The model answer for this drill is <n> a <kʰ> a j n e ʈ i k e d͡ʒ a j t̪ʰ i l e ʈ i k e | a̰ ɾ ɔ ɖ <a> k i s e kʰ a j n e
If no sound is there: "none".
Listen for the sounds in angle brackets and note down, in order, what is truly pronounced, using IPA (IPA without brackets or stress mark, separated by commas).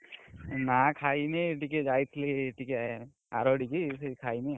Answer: n, kʰ, i